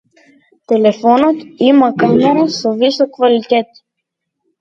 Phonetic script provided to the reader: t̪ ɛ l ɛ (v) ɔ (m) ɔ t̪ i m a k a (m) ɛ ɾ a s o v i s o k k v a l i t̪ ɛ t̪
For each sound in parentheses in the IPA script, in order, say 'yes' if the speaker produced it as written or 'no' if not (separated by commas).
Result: no, no, yes